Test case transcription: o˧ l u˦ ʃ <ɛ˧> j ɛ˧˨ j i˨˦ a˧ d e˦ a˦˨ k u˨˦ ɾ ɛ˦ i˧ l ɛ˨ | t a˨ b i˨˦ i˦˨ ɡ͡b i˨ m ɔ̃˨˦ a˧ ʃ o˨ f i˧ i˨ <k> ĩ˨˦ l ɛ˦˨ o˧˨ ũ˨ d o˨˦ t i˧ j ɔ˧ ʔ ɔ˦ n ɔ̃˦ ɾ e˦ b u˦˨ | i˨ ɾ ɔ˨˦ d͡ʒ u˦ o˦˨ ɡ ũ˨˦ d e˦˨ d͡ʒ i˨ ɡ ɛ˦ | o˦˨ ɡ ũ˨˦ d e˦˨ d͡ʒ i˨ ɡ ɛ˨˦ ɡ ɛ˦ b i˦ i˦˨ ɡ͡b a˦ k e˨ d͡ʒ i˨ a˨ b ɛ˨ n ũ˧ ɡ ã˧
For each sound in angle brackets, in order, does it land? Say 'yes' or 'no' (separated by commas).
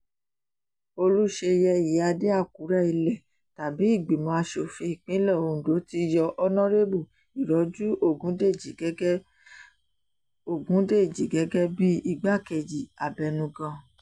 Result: no, no